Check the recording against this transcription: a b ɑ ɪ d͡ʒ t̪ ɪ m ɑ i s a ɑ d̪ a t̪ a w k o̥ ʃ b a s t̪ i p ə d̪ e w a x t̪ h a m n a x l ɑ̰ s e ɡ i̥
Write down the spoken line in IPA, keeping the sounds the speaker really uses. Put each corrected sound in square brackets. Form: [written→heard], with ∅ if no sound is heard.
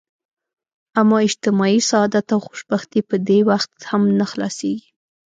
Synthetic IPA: a [b→m] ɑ ɪ d͡ʒ t̪ ɪ m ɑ i s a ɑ d̪ a t̪ a w [k→x] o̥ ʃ b a [s→x] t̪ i p ə d̪ e w a x t̪ h a m n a x l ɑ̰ s e ɡ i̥

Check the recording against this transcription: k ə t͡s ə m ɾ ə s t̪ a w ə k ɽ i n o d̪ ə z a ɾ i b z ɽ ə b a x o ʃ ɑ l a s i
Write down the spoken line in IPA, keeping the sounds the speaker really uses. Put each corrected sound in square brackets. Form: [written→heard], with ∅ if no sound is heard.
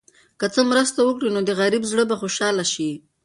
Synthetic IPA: k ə t͡s ə m ɾ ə s t̪ a w ə k ɽ i n o d̪ ə [z→ɣ] a ɾ i b z ɽ ə b a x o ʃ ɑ l a [s→ʃ] i

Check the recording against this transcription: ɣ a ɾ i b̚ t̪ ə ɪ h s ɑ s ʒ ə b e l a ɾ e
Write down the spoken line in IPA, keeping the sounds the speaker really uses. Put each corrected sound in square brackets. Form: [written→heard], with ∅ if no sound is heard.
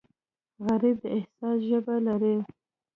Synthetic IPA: ɣ a ɾ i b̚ [t̪→d̪] ə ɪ h s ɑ s ʒ ə b [e→a] l a ɾ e

